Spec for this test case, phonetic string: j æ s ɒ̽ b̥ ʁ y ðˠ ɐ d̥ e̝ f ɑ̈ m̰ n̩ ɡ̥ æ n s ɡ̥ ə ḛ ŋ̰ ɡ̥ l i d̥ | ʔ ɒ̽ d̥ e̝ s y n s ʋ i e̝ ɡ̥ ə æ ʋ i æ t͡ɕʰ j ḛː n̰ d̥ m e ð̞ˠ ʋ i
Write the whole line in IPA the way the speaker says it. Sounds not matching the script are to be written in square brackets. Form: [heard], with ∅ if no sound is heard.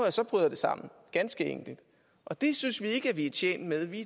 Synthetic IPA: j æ s ɒ̽ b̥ ʁ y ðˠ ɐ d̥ e̝ [s] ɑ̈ m̰ n̩ ɡ̥ æ n s ɡ̥ ə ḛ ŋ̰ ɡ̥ l i d̥ | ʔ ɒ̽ d̥ e̝ s y n s ʋ i e̝ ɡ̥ ə æ ʋ i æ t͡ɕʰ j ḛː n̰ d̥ m e ð̞ˠ ʋ i

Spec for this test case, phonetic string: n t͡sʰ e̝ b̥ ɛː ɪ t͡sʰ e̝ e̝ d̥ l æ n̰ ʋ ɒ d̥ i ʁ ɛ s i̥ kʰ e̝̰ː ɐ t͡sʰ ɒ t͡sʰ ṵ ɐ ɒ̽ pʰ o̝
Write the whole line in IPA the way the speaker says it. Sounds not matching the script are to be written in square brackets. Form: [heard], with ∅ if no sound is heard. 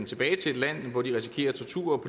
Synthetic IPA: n t͡sʰ e̝ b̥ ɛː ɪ t͡sʰ e̝ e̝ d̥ l æ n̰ ʋ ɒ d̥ i ʁ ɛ s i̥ kʰ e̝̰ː ɐ t͡sʰ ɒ t͡sʰ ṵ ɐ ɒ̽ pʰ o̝

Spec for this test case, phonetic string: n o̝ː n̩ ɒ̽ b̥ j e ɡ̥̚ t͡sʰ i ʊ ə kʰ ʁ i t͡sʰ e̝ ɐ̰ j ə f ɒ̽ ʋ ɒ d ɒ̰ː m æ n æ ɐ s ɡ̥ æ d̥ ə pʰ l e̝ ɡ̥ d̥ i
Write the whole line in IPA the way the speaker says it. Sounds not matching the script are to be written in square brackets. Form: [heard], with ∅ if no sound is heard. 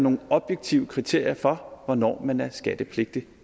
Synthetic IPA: n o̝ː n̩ ɒ̽ b̥ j e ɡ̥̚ t͡sʰ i ʊ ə kʰ ʁ i t͡sʰ e̝ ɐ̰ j [ɐ] f ɒ̽ ʋ ɒ [n] ɒ̰ː m æ n æ ɐ s ɡ̥ æ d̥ ə pʰ l e̝ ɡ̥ d̥ i

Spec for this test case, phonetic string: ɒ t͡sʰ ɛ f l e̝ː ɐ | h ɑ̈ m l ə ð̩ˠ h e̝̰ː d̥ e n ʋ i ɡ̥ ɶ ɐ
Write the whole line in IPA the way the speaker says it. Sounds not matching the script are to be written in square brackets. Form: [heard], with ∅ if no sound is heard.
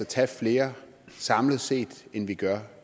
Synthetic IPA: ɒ t͡sʰ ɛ f l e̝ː ɐ | [s] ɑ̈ m l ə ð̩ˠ [s] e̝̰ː d̥ e n ʋ i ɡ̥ ɶ ɐ

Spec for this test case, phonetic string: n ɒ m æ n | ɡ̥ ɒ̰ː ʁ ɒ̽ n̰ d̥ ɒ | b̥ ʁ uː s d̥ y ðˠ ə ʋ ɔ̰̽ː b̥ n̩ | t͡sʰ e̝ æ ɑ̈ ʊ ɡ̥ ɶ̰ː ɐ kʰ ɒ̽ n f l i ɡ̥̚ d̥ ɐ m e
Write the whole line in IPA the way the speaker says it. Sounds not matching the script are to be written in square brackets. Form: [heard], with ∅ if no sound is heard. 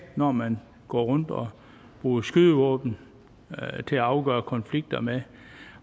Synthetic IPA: n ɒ m æ n | ɡ̥ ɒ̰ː ʁ [ɔ̽] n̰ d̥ ɒ | b̥ ʁ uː s [ɡ̥] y ðˠ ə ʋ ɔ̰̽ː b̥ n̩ | t͡sʰ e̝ æ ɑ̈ ʊ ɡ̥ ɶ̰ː ɐ kʰ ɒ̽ n f l i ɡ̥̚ d̥ ɐ m e

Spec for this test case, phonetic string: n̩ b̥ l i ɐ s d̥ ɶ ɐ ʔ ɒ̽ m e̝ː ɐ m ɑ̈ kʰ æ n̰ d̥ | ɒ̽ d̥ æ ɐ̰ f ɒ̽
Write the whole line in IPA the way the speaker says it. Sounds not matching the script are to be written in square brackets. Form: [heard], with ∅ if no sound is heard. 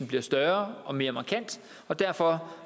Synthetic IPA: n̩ b̥ l i ɐ s d̥ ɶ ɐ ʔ ɒ̽ m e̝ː ɐ m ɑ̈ kʰ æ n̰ d̥ | ɒ̽ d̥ æ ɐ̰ f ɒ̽

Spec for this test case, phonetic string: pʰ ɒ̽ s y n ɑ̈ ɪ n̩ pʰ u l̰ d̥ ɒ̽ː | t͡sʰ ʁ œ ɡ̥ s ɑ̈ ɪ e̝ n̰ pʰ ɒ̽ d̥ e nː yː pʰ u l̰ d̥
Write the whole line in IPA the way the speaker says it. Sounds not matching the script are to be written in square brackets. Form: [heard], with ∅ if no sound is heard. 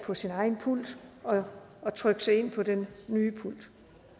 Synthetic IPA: pʰ ɒ̽ s [i] n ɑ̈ ɪ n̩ pʰ u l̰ d̥ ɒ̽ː | t͡sʰ ʁ œ ɡ̥ s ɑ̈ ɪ e̝ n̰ pʰ ɒ̽ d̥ e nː yː pʰ u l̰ d̥

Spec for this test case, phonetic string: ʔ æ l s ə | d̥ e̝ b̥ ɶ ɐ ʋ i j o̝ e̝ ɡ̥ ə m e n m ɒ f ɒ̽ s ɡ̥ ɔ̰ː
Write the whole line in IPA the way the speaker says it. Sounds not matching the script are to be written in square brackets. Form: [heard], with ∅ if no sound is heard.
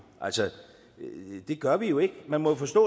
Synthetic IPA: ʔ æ l s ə | d̥ e̝ [ɡ̥] ɶ ɐ ʋ i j o̝ e̝ ɡ̥ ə m [æ] n m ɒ f ɒ̽ s [d̥] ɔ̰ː

